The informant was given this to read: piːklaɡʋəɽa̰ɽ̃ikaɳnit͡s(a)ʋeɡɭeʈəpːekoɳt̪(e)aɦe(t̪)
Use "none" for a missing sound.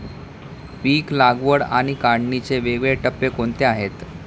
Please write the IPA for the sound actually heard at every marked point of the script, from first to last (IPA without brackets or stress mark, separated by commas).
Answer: e, e, t̪